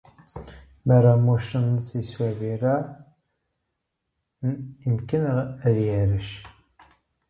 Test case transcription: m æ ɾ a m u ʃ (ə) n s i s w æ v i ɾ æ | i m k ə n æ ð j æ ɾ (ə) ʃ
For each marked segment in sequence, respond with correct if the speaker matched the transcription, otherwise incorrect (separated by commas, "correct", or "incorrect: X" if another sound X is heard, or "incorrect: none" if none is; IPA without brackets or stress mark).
correct, correct